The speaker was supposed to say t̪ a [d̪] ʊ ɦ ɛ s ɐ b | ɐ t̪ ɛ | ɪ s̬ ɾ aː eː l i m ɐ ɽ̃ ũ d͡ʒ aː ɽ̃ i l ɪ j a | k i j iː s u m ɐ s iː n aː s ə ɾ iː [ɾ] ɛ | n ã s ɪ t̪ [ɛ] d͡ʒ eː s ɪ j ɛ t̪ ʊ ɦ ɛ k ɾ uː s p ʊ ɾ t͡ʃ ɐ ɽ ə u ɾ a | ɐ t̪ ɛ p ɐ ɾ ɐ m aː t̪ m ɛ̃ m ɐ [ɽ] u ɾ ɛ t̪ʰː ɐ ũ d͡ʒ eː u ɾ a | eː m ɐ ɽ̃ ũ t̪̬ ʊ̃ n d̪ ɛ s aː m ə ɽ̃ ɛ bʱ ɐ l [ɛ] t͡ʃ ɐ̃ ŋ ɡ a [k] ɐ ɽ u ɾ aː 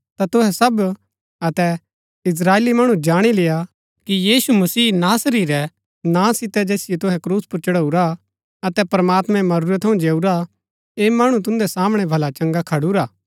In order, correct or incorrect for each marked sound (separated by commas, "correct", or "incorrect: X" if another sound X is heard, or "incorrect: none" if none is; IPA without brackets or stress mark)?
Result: incorrect: t̪, correct, correct, incorrect: ɾ, incorrect: a, incorrect: kʰ